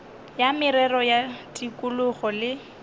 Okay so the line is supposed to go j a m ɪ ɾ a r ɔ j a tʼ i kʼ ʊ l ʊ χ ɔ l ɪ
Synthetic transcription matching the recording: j a m ɪ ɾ ɛ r ɔ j a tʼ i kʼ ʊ l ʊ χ ɔ l ɪ